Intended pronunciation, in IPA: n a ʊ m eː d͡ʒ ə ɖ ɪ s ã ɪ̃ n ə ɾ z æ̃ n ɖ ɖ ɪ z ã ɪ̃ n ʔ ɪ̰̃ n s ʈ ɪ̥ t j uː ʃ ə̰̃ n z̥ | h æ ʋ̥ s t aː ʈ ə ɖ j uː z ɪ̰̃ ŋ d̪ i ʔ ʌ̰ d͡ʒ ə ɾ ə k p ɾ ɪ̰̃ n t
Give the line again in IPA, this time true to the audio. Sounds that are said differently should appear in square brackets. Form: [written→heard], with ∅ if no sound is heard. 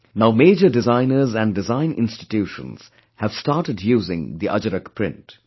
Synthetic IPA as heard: n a ʊ m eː d͡ʒ ə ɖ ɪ [s→z] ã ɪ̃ n ə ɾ z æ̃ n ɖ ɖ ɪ z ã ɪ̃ n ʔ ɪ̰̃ n s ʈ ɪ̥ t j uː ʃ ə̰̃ n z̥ | h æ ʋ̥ s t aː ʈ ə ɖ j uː z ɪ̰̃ ŋ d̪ i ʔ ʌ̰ d͡ʒ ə ɾ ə k p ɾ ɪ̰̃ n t

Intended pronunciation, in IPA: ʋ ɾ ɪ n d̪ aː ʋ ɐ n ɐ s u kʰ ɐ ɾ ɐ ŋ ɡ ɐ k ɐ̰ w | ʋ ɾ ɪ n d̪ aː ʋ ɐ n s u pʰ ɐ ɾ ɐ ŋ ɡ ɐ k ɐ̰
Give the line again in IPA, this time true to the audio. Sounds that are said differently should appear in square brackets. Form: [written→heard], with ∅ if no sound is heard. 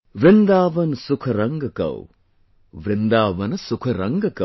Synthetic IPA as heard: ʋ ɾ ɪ n d̪ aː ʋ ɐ n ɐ s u kʰ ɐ ɾ ɐ ŋ ɡ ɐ k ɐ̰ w | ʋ ɾ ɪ n d̪ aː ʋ ɐ n s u [pʰ→kʰ] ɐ ɾ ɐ ŋ ɡ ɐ k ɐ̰

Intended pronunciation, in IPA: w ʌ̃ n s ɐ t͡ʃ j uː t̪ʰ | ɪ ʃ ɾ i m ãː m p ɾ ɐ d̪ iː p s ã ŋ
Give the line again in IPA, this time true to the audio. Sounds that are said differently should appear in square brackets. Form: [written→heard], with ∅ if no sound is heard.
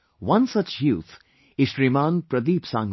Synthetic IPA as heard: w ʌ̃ n s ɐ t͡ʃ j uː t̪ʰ | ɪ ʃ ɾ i m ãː [m→n] p ɾ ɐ d̪ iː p s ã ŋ

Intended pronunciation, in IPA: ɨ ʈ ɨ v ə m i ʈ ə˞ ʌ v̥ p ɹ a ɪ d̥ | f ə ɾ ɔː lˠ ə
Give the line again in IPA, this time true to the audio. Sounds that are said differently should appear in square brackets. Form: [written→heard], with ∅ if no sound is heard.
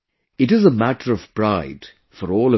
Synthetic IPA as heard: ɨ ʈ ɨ [v→z] ə m [i→æ] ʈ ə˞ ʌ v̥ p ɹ a ɪ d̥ | f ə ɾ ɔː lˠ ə

